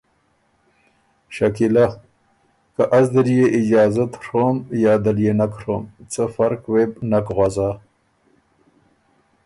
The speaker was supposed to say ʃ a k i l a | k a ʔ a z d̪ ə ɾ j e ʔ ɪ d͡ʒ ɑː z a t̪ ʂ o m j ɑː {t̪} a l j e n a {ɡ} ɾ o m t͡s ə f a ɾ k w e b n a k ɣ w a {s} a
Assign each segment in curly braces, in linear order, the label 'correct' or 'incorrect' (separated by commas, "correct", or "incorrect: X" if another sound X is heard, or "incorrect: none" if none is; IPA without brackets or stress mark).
incorrect: d̪, incorrect: k, incorrect: z